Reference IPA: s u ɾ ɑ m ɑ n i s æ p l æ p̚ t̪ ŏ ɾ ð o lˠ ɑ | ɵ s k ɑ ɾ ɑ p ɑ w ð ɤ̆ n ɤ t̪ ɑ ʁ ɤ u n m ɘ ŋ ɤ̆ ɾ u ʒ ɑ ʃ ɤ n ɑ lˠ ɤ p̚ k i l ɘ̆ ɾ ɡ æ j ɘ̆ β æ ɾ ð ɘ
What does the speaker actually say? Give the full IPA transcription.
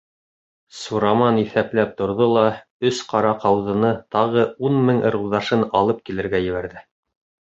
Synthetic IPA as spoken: s u ɾ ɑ m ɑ n i θ æ p l æ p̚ t̪ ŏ ɾ ð o lˠ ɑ | ɵ s q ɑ ɾ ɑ q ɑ w ð ɤ̆ n ɤ t̪ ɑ ʁ ɤ u n m ɘ ŋ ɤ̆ ɾ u ð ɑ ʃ ɤ n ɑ lˠ ɤ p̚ k i l ɘ̆ ɾ ɡ æ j ɘ̆ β æ ɾ ð ɘ